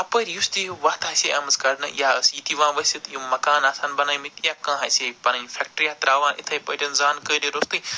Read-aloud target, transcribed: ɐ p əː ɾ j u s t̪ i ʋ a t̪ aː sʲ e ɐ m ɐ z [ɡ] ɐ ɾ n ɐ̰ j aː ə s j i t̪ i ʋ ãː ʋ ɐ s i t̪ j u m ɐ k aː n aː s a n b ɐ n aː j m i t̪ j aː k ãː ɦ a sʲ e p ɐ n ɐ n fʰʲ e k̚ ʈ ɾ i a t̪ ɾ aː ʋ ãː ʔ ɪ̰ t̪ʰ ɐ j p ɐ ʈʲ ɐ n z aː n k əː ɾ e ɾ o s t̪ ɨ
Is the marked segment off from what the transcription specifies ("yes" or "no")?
yes